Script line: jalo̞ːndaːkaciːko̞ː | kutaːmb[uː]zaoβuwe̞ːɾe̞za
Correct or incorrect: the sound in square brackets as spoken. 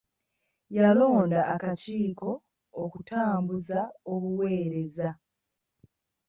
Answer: incorrect: u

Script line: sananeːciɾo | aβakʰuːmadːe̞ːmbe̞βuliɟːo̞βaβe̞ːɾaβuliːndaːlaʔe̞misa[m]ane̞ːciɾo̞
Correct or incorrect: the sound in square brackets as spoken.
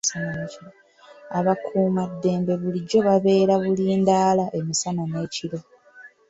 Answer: incorrect: n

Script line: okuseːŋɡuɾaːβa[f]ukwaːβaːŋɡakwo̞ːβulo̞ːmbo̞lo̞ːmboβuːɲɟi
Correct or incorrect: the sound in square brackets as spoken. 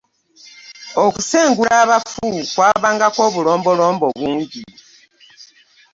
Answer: correct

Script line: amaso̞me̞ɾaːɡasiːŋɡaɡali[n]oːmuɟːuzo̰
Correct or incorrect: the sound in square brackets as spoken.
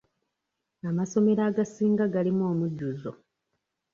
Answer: incorrect: m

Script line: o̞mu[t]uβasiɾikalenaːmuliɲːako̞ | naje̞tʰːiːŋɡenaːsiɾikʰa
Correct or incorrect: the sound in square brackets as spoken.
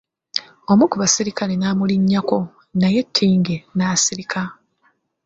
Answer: incorrect: k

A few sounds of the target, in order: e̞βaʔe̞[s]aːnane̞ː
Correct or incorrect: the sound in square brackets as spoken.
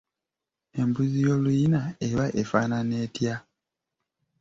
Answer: incorrect: f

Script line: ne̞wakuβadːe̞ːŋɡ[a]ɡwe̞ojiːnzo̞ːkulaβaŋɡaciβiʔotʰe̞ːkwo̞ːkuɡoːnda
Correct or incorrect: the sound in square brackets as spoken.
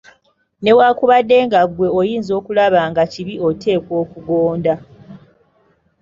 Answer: correct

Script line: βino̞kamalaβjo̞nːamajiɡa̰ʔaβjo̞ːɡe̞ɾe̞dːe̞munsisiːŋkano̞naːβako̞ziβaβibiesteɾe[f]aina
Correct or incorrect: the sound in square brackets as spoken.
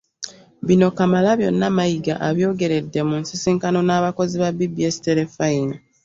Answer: correct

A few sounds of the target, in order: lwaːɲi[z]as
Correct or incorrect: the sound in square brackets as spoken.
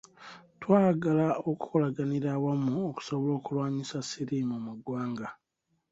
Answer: incorrect: s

